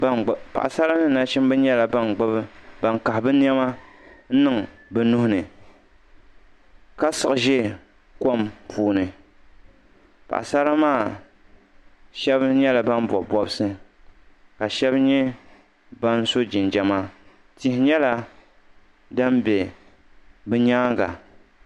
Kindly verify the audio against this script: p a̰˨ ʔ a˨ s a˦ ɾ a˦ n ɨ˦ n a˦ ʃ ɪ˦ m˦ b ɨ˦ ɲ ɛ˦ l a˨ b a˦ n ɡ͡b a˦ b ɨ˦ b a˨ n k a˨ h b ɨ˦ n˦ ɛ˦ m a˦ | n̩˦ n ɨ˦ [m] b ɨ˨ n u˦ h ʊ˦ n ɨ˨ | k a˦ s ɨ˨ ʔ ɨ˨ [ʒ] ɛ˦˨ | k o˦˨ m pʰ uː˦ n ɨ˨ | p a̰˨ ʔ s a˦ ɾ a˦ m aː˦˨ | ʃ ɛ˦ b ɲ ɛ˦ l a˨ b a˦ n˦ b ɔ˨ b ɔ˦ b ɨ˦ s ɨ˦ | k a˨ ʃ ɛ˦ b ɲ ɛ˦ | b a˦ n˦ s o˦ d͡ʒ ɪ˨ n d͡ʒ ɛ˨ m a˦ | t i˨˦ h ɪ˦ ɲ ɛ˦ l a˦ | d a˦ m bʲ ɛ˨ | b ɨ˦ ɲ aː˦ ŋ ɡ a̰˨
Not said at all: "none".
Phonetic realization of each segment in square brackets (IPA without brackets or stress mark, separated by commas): ŋ, ʒ